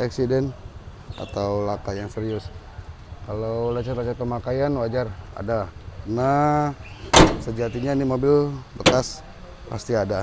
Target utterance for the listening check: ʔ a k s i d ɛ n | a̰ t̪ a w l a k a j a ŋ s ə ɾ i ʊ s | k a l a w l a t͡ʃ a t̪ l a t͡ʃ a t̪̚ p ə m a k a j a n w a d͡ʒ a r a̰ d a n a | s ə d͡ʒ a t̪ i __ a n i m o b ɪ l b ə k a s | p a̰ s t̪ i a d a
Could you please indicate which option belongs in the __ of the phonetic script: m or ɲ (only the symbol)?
ɲ